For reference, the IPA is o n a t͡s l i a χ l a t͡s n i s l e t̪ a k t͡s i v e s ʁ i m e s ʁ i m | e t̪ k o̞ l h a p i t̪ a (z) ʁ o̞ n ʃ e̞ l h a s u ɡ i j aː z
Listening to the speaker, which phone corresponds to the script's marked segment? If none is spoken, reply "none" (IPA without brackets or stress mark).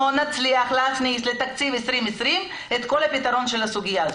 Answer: none